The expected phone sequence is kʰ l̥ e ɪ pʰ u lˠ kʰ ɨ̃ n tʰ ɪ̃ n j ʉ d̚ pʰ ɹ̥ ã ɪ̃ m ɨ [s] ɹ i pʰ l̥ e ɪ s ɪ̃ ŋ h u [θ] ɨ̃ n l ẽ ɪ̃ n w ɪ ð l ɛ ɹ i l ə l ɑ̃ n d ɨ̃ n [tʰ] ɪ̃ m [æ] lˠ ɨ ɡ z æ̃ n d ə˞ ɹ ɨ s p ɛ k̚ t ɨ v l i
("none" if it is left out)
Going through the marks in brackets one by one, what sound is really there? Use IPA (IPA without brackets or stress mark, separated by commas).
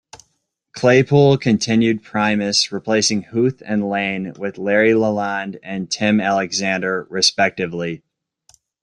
s, θ, tʰ, æ